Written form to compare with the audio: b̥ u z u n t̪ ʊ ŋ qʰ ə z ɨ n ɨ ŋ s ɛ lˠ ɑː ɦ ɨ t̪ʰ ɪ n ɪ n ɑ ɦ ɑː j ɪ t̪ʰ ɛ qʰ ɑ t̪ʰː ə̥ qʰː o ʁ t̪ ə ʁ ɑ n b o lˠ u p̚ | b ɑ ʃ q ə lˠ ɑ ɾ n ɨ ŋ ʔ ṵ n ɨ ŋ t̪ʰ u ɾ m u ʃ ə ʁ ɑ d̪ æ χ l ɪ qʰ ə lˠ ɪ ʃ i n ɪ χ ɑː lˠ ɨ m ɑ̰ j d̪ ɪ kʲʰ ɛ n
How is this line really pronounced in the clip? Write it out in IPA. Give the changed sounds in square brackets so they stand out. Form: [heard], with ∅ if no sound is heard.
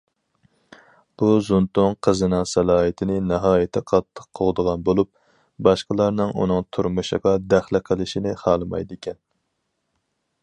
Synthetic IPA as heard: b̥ u z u n t̪ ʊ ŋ qʰ ə z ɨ n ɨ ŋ s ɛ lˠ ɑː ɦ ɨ t̪ʰ ɪ n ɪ n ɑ ɦ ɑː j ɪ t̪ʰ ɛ qʰ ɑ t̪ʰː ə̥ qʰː o ʁ [d̪] ə ʁ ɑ n b o lˠ u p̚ | b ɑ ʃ q ə lˠ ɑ ɾ n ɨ ŋ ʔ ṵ n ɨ ŋ t̪ʰ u ɾ m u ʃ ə ʁ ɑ d̪ æ χ l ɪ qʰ ə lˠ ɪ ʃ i n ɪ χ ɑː lˠ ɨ m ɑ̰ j d̪ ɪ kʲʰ ɛ n